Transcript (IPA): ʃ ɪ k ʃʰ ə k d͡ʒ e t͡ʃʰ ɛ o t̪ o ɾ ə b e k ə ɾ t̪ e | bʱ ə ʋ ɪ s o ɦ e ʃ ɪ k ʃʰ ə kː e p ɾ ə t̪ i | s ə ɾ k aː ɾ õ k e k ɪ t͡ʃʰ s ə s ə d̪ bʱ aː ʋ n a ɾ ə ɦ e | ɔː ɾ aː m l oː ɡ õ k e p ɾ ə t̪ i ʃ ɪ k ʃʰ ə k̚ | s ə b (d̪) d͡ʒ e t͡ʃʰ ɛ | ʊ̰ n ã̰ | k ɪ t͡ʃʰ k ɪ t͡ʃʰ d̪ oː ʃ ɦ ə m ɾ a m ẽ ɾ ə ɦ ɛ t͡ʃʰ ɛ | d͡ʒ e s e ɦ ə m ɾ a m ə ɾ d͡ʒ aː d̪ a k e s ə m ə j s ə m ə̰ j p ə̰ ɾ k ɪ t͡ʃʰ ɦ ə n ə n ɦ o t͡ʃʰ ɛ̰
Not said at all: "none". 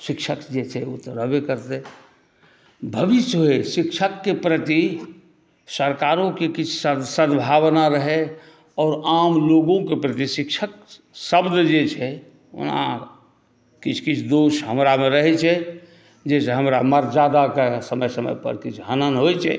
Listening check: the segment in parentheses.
d̪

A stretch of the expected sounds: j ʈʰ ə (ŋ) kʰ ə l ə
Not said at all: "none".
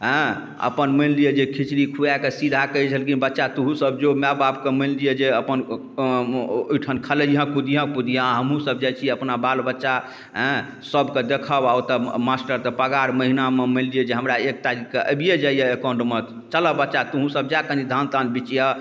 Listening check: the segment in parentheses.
n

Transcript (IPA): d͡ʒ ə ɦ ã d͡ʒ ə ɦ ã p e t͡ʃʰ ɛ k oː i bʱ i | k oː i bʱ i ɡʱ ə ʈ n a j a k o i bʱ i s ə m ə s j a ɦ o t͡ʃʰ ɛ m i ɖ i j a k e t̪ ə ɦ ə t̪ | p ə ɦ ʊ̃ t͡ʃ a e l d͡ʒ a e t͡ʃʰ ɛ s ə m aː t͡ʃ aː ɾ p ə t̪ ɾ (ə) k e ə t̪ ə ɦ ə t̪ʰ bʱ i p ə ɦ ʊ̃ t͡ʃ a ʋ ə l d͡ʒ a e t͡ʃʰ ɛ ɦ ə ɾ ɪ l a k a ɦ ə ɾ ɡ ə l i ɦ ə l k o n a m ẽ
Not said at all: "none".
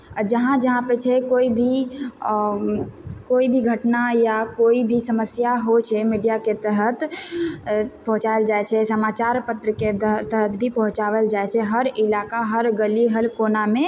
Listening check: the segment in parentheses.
ə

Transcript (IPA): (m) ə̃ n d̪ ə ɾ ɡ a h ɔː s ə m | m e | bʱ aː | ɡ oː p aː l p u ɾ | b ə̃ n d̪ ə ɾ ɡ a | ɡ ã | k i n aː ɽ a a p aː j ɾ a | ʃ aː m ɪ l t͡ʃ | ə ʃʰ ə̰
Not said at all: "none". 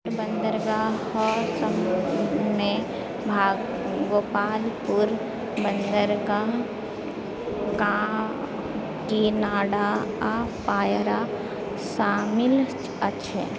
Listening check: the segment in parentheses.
b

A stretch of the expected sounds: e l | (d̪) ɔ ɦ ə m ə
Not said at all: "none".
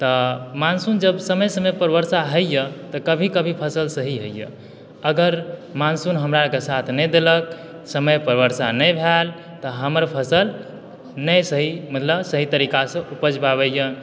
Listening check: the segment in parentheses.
t̪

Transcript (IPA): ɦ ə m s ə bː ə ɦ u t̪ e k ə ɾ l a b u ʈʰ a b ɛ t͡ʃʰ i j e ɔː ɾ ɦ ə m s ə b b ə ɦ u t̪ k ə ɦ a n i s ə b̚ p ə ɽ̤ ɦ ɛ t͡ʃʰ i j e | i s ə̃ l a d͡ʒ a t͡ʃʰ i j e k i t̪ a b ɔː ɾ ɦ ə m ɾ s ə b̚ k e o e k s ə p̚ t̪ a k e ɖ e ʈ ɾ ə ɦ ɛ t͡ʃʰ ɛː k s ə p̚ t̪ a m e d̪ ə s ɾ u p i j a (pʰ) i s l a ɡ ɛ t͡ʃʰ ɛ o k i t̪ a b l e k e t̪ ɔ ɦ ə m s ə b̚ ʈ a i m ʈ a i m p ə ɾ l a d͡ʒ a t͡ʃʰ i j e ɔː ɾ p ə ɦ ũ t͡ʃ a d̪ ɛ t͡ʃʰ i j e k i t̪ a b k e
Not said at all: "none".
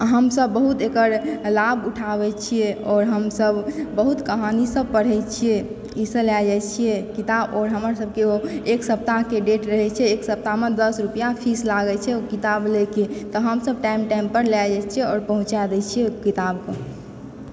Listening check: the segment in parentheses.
pʰ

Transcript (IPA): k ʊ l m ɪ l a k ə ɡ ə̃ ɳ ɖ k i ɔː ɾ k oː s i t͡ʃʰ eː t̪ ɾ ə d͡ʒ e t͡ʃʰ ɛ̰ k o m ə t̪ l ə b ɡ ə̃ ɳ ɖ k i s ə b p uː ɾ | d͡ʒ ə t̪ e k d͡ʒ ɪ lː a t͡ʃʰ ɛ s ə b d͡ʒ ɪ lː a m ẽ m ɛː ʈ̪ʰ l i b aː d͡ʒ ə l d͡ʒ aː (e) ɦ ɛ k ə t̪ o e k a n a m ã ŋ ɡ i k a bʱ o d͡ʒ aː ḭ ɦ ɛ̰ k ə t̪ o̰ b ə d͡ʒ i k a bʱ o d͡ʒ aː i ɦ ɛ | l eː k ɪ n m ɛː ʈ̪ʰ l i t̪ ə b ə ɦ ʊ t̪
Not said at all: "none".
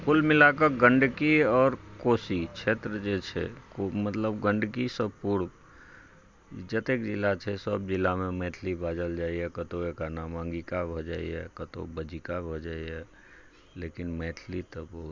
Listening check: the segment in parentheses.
i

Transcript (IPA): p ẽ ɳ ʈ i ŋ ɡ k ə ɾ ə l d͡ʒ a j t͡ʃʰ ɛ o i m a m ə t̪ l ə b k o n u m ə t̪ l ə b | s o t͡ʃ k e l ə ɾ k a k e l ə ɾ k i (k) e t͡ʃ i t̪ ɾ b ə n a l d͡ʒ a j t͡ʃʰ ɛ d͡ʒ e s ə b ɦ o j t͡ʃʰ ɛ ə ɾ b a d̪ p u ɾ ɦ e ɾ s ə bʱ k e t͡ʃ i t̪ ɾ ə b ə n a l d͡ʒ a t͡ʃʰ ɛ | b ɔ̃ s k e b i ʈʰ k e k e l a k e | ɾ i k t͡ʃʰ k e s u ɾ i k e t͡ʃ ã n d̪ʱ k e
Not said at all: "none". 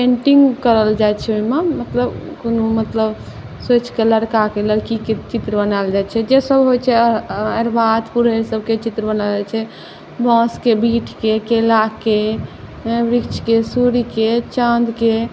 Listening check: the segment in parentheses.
k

